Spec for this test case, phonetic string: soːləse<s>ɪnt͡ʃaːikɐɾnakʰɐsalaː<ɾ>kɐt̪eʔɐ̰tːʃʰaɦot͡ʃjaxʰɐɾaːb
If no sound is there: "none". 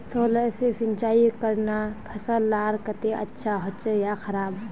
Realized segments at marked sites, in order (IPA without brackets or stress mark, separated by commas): s, ɾ